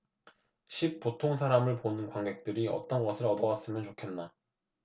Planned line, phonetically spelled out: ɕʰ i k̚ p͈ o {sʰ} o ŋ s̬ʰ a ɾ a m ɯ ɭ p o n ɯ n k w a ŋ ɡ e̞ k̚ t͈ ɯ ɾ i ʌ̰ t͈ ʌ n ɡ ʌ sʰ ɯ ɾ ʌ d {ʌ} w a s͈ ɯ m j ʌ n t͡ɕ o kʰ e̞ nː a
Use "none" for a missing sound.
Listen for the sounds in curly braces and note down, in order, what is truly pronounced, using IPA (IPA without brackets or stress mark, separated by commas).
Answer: tʰ, ʌ